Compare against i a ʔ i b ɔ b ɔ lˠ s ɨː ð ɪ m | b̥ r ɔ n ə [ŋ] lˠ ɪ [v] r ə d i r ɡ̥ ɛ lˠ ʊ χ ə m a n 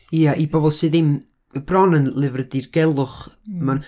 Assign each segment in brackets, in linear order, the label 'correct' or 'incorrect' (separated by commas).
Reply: incorrect, correct